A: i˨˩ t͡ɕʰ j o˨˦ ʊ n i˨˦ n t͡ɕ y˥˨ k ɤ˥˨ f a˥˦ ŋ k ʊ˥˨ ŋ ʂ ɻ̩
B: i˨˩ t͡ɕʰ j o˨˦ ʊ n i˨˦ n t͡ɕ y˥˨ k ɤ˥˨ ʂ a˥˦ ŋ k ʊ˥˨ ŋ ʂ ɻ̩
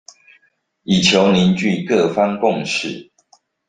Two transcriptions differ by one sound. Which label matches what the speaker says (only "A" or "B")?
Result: A